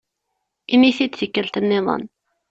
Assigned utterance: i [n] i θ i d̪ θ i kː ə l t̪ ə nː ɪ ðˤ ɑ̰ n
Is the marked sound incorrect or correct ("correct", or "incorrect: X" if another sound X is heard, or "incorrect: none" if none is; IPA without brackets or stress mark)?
incorrect: m